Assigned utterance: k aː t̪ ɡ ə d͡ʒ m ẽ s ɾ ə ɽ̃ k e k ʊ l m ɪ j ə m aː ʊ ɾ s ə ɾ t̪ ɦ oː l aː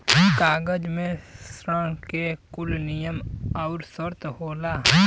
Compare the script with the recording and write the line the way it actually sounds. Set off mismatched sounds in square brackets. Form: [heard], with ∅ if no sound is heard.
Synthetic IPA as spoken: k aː [∅] ɡ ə d͡ʒ m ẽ s ɾ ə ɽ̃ k e k ʊ l [n] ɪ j ə m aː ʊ ɾ s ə ɾ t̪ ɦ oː l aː